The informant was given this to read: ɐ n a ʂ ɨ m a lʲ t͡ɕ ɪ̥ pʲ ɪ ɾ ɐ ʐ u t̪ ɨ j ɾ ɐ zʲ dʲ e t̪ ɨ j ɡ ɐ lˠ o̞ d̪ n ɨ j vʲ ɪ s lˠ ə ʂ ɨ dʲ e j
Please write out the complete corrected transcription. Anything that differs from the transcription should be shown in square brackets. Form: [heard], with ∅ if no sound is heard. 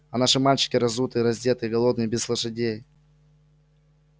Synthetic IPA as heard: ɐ n a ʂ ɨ m a lʲ t͡ɕ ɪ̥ [kʲ] ɪ ɾ ɐ [z] u t̪ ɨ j ɾ ɐ zʲ dʲ e t̪ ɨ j ɡ ɐ lˠ o̞ d̪ n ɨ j [bʲ] ɪ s lˠ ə ʂ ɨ dʲ e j